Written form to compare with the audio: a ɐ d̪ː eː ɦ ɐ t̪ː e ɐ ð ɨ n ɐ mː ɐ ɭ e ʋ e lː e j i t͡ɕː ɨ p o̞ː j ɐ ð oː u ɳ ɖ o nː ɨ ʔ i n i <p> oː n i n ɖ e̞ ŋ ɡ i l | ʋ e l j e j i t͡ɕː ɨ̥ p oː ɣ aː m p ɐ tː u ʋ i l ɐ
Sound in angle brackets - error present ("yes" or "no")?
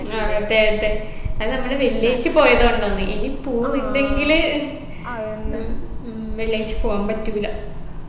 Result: no